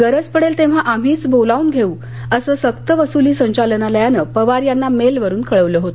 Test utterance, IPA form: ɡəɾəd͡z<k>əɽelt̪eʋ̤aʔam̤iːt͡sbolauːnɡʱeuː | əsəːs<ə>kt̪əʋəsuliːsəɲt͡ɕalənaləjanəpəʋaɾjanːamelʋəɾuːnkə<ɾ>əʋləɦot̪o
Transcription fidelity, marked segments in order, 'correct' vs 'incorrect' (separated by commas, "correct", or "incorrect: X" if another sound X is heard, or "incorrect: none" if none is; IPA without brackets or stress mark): incorrect: p, correct, incorrect: ɭ